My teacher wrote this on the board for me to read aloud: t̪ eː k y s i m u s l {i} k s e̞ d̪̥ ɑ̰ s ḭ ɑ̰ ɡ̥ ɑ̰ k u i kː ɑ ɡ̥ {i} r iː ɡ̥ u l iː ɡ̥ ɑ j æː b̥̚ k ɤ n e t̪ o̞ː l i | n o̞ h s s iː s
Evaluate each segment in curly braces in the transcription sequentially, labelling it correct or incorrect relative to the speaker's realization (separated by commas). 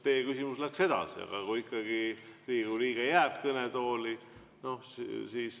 incorrect, correct